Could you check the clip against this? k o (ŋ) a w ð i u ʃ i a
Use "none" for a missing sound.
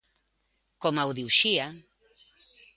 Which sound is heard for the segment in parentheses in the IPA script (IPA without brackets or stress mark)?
m